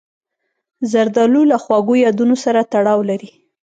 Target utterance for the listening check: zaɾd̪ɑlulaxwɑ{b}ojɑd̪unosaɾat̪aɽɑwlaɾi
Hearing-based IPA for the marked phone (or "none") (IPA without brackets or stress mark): ɡ